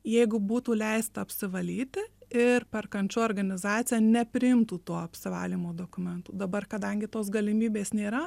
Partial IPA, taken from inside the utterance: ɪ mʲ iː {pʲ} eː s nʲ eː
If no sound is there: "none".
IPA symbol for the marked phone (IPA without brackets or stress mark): bʲ